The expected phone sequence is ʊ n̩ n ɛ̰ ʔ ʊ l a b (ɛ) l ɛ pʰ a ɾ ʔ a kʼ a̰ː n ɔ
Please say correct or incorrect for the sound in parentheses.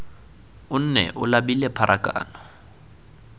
incorrect